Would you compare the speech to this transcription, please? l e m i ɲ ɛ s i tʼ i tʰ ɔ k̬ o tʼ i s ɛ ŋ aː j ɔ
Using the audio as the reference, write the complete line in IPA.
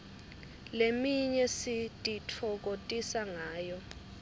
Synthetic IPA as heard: l e m i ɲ ɛ s i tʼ i tʰ ɔ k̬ o tʼ i s a ŋ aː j ɔ